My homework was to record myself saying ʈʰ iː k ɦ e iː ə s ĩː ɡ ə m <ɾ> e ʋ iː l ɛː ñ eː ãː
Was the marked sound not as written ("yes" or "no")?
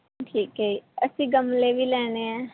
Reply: yes